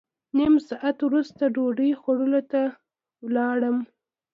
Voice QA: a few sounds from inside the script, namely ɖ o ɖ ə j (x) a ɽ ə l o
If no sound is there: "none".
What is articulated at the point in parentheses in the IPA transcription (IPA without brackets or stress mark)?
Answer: x